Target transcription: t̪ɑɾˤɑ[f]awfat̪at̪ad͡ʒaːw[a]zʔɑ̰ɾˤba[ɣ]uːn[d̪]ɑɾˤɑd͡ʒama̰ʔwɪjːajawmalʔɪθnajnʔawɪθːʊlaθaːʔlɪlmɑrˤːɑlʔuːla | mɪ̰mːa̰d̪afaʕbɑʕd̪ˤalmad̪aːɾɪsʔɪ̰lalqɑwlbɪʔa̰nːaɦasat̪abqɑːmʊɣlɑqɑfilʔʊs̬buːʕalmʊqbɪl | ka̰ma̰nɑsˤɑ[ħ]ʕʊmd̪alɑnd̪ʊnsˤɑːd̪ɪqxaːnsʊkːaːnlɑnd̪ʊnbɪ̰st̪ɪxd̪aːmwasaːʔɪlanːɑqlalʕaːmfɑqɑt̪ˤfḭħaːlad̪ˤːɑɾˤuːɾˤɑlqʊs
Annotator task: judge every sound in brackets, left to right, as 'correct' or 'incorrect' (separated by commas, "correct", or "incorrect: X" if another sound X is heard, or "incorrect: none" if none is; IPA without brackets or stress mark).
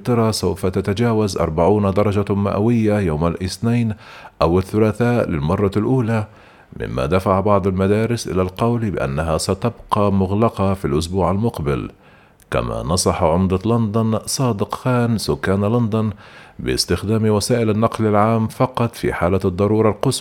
incorrect: s, correct, incorrect: ʕ, correct, correct